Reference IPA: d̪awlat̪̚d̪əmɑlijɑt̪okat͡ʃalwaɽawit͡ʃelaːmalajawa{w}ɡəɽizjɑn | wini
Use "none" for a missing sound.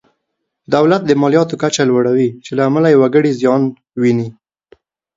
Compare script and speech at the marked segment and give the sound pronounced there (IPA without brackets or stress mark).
none